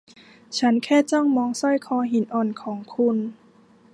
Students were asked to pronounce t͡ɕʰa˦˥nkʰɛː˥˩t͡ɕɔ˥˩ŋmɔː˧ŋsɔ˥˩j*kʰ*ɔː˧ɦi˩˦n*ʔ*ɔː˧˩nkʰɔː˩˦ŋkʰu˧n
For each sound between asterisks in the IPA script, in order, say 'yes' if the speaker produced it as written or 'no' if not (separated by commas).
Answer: yes, yes